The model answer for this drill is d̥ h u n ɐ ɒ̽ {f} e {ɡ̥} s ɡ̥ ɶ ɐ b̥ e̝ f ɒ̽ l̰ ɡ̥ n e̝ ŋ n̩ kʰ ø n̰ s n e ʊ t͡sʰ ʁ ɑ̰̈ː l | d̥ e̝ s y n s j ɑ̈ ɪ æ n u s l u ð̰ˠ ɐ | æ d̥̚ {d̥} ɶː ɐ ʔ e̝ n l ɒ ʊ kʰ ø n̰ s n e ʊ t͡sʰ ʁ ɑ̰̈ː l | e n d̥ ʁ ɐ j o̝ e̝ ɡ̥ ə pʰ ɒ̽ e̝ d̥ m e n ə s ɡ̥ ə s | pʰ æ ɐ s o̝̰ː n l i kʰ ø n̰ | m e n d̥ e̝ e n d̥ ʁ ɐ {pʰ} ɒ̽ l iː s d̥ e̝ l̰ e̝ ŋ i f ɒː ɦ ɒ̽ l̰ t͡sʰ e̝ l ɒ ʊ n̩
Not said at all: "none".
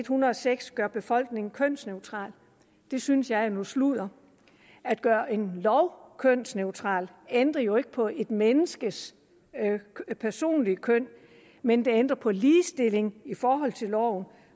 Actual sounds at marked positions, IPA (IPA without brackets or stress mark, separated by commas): s, ɡ̥, ɡ̥, pʰ